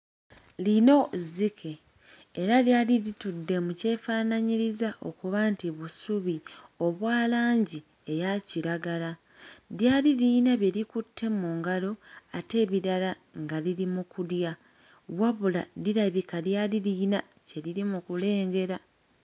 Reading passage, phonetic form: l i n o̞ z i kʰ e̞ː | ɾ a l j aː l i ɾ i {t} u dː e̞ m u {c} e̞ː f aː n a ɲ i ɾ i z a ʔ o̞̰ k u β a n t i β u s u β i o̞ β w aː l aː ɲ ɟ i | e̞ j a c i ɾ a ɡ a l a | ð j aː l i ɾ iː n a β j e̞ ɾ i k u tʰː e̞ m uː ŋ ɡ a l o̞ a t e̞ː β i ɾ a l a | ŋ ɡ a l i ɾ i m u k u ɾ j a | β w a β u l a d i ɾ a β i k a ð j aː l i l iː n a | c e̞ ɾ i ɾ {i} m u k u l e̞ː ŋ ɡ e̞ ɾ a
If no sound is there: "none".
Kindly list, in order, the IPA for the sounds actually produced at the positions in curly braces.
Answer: t, c, i

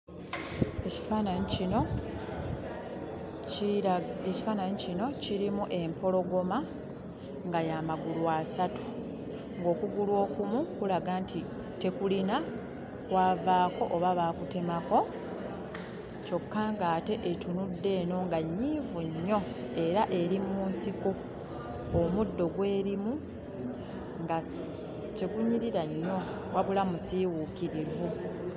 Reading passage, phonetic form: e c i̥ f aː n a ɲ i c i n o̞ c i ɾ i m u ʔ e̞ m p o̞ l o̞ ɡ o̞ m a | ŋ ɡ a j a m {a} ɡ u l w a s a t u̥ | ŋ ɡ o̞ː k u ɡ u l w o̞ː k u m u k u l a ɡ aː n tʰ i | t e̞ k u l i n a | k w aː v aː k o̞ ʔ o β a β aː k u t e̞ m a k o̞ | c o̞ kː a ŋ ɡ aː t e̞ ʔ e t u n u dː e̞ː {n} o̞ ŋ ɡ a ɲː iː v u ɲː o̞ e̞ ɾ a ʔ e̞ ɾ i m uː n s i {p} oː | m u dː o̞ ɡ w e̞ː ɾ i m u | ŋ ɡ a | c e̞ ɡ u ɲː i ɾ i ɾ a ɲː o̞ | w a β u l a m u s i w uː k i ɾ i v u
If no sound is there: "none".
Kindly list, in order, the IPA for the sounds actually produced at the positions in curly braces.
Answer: a, n, k

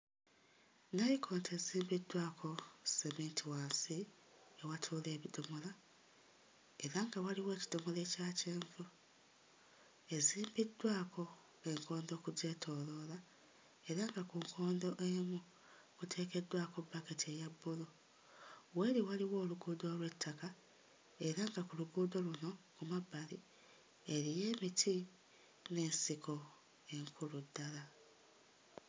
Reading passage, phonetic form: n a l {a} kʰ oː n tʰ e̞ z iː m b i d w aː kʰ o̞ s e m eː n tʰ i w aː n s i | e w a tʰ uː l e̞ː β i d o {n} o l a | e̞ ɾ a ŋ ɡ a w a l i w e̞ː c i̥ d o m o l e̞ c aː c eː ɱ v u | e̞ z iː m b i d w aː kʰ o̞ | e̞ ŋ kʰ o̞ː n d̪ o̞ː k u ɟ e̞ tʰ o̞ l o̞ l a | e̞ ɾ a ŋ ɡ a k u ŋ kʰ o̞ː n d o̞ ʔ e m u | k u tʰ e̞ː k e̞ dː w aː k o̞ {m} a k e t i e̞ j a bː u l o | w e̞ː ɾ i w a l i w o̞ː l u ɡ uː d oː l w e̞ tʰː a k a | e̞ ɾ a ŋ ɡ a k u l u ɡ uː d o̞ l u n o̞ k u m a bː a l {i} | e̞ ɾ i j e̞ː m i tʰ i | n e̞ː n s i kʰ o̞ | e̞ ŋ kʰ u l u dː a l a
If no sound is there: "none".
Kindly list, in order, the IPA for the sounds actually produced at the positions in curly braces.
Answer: i, m, b, i

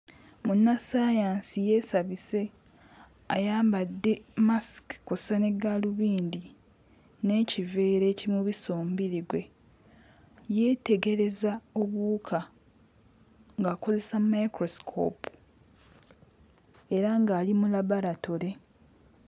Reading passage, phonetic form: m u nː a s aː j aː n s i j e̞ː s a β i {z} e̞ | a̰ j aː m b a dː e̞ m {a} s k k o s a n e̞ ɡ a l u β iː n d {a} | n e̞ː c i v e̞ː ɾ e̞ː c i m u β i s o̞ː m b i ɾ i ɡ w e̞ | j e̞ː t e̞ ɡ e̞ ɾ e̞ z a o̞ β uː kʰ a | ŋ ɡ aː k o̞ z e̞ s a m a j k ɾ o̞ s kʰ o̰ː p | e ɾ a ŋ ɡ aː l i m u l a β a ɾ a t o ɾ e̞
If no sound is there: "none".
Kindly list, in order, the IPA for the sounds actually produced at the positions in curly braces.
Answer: s, a, i

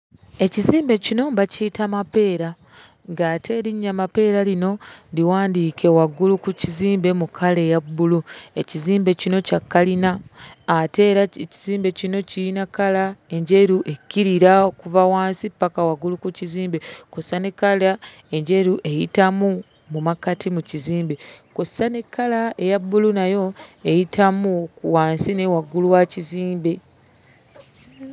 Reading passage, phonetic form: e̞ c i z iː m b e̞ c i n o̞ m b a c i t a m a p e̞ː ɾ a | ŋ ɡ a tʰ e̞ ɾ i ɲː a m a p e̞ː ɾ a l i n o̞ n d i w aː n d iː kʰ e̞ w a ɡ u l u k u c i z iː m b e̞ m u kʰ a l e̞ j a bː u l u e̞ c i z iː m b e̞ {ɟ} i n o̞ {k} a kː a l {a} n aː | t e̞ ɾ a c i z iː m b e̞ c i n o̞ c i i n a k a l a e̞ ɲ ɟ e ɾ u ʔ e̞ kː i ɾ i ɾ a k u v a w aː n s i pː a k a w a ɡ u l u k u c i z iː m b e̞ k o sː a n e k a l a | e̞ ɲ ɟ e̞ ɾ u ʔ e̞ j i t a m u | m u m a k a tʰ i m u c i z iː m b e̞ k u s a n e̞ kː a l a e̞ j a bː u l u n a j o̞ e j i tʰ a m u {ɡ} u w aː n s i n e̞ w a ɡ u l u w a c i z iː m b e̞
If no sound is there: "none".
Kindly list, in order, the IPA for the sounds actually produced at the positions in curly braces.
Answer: c, c, i, k

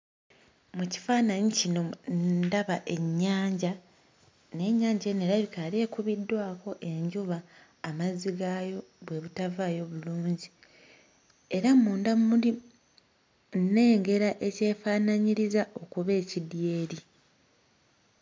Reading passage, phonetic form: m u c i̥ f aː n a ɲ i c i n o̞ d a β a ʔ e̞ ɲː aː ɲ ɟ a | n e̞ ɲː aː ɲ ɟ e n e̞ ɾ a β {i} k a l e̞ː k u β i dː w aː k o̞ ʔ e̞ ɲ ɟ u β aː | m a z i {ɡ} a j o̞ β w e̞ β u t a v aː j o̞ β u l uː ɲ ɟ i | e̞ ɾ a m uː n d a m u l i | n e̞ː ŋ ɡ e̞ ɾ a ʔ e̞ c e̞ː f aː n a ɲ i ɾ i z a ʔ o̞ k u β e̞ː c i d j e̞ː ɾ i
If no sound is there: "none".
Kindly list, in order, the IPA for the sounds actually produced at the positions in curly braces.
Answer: i, ɡ

